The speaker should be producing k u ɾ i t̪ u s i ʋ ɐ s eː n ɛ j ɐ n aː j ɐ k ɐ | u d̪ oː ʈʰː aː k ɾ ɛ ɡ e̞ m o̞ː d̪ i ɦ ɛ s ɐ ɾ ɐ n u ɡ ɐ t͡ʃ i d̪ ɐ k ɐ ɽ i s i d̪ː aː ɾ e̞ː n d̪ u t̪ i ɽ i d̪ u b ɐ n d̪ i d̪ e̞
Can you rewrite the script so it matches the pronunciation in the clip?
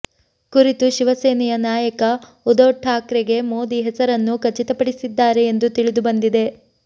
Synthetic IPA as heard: k u ɾ i t̪ u ʃ i ʋ ɐ s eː n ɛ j ɐ n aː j ɐ k ɐ | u d̪ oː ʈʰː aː k ɾ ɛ ɡ e̞ m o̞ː d̪ i ɦ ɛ s ɐ ɾ ɐ nː u k ɐ t͡ʃ i t̪ ɐ p ɐ ɽ i s i d̪ː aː ɾ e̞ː n d̪ u t̪ i ɭ i d̪ u b ɐ n d̪ i d̪ e̞